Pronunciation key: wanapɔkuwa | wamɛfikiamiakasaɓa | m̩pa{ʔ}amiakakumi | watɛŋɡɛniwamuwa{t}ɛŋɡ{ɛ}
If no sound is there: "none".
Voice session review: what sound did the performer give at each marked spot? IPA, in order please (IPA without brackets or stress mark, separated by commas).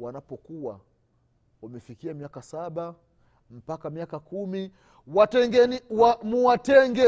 k, t, ɛ